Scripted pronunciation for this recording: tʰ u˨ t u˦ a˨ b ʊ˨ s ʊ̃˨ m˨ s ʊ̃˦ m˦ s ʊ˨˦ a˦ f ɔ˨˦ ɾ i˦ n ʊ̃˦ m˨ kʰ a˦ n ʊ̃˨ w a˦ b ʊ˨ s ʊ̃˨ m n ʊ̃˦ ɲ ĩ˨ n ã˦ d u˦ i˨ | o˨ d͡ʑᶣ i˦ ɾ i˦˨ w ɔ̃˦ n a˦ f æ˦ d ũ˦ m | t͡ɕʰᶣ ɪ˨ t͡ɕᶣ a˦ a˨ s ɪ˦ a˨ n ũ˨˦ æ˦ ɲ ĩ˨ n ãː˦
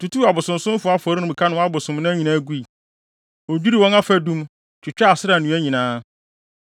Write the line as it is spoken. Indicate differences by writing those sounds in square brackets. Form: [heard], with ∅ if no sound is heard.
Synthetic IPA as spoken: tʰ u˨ t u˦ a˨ b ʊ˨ s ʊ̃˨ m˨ s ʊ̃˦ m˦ [f] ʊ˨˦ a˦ f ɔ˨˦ ɾ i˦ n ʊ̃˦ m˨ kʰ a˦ n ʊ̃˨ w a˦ b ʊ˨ s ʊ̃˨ m n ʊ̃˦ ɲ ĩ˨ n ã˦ [ɡ] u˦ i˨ | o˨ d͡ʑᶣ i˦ ɾ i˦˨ w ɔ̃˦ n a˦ f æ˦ d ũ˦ m | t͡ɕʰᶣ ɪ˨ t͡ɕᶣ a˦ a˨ s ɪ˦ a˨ n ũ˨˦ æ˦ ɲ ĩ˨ n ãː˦